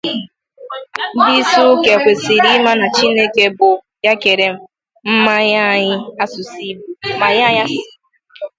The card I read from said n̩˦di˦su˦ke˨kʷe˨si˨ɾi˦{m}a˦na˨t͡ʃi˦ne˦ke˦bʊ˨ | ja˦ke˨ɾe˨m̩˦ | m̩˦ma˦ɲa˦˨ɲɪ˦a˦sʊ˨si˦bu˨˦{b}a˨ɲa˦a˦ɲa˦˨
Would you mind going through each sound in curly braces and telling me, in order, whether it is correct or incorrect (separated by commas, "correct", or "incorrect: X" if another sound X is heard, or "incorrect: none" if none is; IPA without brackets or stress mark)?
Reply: correct, incorrect: m